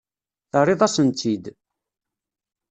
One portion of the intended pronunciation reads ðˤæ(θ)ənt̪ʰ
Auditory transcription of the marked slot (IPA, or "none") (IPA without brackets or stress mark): s